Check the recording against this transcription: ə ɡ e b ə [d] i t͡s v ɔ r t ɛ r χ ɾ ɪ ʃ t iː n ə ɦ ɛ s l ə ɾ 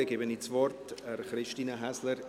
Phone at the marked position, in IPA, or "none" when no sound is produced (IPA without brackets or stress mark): n